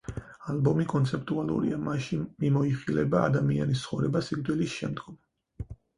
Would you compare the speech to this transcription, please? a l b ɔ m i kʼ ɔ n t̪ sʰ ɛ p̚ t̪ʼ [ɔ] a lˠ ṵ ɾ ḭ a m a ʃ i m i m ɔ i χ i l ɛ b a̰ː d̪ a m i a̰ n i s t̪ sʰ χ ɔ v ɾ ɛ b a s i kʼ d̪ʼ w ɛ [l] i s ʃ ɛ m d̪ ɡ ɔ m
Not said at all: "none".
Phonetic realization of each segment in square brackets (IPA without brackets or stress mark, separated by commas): u, l